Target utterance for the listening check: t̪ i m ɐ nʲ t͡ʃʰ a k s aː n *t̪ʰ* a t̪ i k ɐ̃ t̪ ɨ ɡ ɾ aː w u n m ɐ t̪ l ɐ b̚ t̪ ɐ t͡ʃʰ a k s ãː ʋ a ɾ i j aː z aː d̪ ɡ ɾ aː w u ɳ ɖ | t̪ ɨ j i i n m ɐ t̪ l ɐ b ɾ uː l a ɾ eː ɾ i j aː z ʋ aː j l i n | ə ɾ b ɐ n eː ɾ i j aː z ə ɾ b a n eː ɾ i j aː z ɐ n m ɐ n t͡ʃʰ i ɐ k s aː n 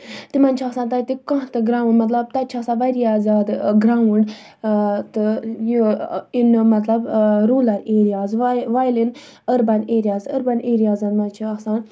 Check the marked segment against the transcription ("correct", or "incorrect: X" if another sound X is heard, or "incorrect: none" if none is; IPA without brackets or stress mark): incorrect: t̪